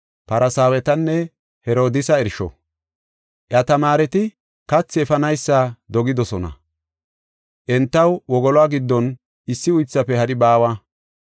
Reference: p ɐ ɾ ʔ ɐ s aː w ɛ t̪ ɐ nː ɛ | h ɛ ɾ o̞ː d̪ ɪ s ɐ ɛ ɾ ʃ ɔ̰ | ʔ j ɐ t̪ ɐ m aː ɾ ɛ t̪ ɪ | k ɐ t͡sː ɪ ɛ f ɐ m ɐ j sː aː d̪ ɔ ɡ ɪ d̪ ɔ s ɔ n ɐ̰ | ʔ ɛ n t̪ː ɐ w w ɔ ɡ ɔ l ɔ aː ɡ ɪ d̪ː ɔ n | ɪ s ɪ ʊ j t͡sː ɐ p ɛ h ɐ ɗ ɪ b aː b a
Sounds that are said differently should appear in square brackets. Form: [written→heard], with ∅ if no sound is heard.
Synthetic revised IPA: p ɐ ɾ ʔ ɐ s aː w ɛ t̪ ɐ nː ɛ | h ɛ ɾ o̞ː d̪ ɪ s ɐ ɛ ɾ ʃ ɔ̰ | ʔ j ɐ t̪ ɐ m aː ɾ ɛ t̪ ɪ | k ɐ t͡sː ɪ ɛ f ɐ [m→n] ɐ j sː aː d̪ ɔ ɡ ɪ d̪ ɔ s ɔ n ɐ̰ | ʔ ɛ n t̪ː ɐ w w ɔ ɡ ɔ l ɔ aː ɡ ɪ d̪ː ɔ n | ɪ [s→sː] ɪ ʊ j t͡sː ɐ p ɛ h ɐ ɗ ɪ b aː [b→w] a